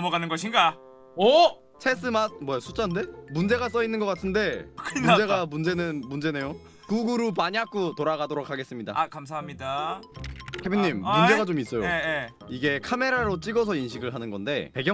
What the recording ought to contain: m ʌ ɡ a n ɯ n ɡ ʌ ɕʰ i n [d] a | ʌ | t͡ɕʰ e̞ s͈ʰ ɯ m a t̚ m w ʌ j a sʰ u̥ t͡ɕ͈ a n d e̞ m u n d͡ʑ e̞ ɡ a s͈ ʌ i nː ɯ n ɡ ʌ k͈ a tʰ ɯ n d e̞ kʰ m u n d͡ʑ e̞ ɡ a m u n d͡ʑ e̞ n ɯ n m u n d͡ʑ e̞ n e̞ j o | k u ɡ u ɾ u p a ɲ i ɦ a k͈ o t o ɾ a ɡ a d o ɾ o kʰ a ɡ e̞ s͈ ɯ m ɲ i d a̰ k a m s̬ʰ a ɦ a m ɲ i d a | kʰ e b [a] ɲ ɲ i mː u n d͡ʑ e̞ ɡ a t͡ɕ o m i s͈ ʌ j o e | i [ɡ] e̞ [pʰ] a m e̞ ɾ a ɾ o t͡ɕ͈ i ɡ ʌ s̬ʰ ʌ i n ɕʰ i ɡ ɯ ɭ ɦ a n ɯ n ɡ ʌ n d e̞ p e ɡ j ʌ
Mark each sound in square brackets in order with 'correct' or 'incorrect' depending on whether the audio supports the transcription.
incorrect, incorrect, correct, incorrect

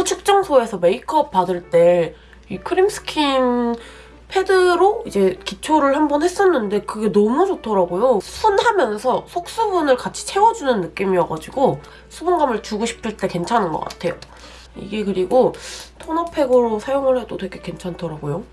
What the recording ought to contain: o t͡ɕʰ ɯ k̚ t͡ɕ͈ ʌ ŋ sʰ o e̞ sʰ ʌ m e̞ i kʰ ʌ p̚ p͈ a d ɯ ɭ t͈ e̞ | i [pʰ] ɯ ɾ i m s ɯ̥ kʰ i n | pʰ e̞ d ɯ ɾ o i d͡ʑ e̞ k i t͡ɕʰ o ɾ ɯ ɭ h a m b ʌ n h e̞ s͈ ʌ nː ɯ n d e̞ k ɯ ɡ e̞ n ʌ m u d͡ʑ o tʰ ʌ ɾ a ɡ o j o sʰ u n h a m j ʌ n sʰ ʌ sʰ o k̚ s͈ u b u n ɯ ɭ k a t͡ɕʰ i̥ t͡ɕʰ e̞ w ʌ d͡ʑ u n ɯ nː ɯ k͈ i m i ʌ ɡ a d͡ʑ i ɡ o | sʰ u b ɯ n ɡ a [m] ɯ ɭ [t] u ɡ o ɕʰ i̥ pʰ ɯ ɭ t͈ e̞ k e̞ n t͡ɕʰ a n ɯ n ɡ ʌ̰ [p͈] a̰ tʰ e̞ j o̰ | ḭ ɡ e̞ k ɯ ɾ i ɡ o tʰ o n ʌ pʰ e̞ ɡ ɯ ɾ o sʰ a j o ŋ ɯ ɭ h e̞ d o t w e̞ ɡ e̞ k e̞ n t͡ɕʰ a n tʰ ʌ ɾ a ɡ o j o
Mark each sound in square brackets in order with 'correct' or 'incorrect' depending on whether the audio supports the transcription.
incorrect, correct, incorrect, incorrect

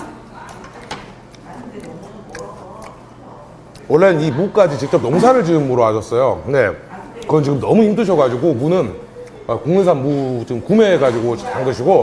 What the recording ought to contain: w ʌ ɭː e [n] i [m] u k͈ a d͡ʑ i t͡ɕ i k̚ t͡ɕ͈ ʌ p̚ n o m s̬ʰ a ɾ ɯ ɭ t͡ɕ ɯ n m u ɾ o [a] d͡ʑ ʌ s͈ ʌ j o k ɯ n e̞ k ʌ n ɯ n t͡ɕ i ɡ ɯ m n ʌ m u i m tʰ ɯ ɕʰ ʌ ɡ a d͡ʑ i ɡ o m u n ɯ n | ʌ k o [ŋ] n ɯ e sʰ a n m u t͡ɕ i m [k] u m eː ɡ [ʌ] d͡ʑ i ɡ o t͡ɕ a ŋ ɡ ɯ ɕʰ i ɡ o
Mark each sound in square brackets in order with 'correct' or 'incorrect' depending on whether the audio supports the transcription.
correct, correct, correct, correct, correct, incorrect

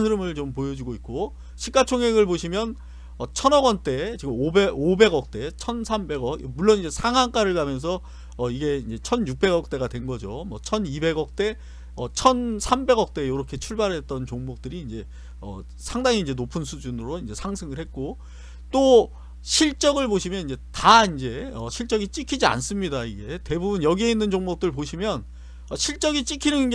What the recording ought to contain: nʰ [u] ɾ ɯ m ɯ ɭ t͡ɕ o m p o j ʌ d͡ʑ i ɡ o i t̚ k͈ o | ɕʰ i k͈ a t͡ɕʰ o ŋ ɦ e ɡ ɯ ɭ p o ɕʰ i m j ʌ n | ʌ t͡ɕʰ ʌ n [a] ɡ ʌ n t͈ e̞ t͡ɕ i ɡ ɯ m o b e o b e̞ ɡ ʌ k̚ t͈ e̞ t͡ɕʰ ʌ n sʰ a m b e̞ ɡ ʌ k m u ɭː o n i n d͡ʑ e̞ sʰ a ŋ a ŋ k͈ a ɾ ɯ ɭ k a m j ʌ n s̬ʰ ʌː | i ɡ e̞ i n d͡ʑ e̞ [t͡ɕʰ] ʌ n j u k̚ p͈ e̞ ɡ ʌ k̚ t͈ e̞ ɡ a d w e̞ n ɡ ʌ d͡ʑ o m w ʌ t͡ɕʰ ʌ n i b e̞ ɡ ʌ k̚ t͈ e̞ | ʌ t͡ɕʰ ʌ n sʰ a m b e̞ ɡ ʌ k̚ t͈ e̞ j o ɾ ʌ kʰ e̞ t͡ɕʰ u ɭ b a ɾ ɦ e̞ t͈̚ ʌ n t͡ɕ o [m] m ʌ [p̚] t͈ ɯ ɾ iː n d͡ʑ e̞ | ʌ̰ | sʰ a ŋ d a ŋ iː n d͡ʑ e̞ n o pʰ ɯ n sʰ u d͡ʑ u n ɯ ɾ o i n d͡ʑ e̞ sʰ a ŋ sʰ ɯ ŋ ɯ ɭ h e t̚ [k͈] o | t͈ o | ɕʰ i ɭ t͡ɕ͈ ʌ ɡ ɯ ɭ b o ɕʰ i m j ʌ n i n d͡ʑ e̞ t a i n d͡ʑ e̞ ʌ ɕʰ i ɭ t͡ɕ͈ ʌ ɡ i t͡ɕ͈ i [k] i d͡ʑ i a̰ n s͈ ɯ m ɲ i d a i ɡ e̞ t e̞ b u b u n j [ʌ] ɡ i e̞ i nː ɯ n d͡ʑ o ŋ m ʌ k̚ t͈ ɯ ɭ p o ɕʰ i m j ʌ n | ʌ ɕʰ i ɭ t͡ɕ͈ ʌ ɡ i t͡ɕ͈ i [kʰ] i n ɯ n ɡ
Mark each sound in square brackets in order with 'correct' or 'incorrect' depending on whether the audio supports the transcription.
incorrect, incorrect, correct, incorrect, incorrect, correct, incorrect, correct, correct

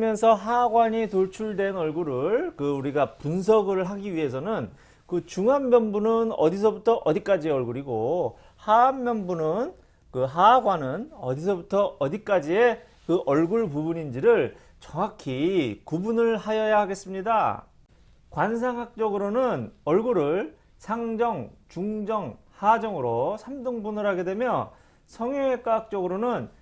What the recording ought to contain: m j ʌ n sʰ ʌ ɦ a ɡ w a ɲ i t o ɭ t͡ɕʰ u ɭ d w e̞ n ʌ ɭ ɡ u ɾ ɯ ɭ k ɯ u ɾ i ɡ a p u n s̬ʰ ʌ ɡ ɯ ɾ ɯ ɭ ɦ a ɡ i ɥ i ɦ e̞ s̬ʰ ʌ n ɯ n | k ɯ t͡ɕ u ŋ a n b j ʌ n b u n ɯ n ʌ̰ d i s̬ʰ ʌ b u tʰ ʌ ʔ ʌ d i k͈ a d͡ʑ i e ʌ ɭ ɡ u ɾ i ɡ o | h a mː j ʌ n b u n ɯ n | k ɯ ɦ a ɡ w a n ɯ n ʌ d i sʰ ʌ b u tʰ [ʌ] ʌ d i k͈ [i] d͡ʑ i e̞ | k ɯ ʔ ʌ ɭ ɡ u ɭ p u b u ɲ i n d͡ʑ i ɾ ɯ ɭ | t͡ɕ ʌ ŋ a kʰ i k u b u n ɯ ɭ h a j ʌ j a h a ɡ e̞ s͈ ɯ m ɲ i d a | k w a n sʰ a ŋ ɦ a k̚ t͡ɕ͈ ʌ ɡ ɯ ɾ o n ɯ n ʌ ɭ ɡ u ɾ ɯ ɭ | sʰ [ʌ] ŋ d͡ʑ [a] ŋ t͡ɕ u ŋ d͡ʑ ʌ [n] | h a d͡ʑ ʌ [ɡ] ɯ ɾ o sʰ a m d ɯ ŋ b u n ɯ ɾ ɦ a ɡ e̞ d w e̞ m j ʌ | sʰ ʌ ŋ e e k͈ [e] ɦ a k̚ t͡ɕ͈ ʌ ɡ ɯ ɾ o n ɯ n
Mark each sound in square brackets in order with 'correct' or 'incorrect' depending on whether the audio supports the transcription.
correct, incorrect, incorrect, incorrect, incorrect, incorrect, incorrect

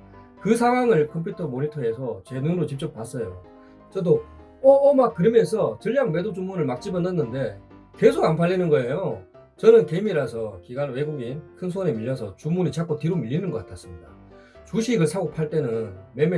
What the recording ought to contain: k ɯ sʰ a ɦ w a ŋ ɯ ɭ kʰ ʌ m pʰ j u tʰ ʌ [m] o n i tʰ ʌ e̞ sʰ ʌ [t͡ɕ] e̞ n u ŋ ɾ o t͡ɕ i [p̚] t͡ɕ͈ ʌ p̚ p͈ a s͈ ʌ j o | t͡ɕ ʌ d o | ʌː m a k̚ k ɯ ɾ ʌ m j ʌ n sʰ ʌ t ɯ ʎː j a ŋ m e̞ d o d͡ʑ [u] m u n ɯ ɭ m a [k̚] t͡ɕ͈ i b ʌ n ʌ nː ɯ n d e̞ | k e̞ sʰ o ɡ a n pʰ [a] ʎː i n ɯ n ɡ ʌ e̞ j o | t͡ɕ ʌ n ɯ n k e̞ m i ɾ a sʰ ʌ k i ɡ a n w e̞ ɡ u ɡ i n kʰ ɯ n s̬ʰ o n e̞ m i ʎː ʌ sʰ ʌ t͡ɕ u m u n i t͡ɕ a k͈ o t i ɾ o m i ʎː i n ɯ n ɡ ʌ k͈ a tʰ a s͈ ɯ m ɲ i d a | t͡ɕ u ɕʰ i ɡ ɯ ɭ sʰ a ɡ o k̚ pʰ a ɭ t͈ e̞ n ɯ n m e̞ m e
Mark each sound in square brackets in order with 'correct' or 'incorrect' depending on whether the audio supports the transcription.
correct, correct, correct, correct, correct, correct

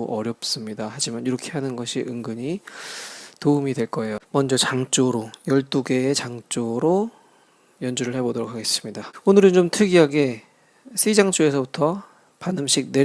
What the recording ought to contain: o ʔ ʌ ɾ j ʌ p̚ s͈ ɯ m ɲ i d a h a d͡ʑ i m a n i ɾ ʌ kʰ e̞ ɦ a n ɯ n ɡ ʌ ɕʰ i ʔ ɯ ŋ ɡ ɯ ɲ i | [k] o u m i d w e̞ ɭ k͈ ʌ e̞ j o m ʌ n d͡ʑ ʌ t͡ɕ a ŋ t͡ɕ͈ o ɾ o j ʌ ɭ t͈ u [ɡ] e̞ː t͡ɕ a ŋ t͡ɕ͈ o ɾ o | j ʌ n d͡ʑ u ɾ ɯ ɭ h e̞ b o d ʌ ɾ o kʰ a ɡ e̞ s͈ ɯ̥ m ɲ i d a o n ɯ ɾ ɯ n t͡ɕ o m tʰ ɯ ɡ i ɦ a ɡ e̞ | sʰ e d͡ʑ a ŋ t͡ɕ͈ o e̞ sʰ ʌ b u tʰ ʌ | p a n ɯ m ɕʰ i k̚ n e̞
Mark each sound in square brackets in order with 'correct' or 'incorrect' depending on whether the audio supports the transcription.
incorrect, correct

